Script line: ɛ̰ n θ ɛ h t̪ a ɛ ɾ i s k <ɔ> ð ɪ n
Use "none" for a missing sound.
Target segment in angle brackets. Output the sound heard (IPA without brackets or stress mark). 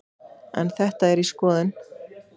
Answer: ɔː